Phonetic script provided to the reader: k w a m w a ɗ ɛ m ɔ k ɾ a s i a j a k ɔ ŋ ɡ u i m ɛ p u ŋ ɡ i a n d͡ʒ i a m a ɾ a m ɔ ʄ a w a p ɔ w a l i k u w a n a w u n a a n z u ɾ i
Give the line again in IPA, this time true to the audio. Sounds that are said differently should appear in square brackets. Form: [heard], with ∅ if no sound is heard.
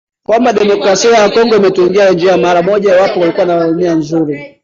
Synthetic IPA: k w a m [b] a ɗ ɛ m ɔ k ɾ a s i a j a k ɔ ŋ ɡ [ɔ] i m ɛ [t] u ŋ ɡ i a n d͡ʒ i a m a ɾ a m ɔ ʄ a w a p ɔ w a l i k u w a n a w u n [i] a n z u ɾ i